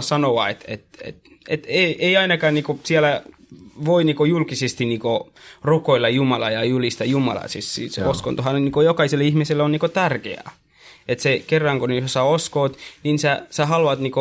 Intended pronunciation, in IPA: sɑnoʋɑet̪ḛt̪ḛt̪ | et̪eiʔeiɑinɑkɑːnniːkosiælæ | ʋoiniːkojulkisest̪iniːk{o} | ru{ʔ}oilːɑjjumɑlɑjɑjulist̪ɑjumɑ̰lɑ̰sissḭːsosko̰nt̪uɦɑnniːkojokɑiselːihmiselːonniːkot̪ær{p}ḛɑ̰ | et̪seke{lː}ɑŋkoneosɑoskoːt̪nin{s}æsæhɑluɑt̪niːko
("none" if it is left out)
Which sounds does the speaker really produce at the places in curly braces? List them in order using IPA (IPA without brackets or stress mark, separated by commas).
o, k, k, rː, s